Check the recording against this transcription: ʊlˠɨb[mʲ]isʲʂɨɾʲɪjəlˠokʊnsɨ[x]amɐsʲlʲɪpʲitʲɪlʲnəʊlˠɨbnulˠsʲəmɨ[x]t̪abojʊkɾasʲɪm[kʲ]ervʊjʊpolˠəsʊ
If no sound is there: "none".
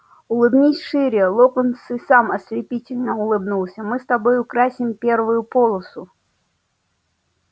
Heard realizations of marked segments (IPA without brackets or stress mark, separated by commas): nʲ, s, s, pʲ